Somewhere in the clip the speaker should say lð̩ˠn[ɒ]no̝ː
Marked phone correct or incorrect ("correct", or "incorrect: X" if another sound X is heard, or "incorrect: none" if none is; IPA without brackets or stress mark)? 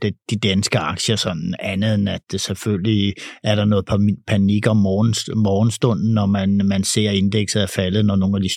correct